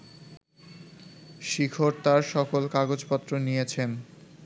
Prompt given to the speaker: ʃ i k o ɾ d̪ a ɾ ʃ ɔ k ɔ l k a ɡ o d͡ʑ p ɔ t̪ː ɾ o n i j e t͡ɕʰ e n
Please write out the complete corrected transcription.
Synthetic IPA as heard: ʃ i kʰ o ɾ t̪ a ɾ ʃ ɔ k o l k a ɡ o d͡ʑ p ɔ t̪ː ɾ o n i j e t͡ɕʰ e n